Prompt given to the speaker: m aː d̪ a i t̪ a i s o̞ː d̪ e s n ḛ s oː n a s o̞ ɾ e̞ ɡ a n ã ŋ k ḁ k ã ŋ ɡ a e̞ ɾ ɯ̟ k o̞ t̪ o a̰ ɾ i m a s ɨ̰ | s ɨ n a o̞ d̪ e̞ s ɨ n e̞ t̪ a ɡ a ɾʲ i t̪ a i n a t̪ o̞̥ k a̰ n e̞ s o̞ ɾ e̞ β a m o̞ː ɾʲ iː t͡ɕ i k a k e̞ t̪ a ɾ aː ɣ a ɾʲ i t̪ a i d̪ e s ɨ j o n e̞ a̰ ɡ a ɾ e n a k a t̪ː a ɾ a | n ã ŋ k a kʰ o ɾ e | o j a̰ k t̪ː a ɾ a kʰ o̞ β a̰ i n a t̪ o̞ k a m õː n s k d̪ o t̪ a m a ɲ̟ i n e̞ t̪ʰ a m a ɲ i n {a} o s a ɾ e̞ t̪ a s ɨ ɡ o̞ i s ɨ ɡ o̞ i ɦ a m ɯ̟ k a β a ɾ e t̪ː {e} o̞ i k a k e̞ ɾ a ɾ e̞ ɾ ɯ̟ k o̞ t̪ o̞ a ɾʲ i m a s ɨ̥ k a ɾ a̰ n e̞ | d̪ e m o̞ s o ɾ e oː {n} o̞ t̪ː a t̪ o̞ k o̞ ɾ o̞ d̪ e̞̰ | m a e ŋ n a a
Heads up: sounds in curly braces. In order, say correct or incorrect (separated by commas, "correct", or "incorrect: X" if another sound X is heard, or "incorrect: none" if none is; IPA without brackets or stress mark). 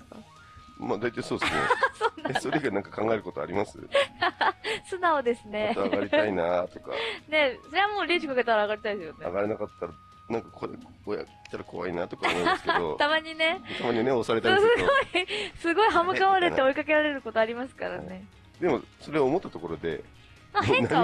incorrect: e, correct, incorrect: m